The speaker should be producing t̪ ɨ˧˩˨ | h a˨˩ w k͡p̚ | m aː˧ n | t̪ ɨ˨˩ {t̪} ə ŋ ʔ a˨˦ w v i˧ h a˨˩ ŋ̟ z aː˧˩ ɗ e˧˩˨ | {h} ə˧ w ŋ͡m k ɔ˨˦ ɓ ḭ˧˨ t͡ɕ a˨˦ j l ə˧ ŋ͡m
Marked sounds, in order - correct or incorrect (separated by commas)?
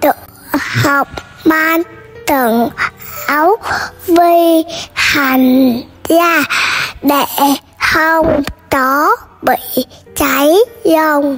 incorrect, correct